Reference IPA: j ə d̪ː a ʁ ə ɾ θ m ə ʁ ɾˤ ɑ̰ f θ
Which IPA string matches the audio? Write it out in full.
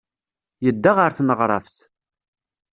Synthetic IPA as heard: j ə d̪ː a ʁ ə ɾ θ n ə ʁ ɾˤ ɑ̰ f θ